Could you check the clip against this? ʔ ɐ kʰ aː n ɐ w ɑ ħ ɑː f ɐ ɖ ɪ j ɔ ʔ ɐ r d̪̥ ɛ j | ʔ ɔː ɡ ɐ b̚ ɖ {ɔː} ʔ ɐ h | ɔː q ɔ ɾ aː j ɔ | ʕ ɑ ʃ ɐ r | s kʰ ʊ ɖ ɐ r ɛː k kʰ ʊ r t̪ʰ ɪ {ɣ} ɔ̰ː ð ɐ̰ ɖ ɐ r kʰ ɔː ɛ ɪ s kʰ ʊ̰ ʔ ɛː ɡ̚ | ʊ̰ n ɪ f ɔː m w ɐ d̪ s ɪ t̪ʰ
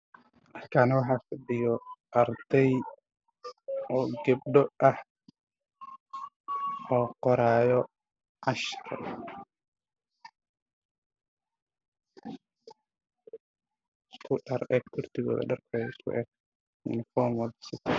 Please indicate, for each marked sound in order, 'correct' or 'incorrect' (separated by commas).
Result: incorrect, correct